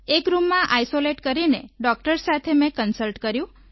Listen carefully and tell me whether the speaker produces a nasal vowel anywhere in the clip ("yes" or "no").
yes